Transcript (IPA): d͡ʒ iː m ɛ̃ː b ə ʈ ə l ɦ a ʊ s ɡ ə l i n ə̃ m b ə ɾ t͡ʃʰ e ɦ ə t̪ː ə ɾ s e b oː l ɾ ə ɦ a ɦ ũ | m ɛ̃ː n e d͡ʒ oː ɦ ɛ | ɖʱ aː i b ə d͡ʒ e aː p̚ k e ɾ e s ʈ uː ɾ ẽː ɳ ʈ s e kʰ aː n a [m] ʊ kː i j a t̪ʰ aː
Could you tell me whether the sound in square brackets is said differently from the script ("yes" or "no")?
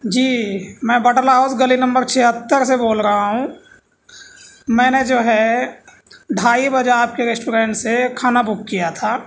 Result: yes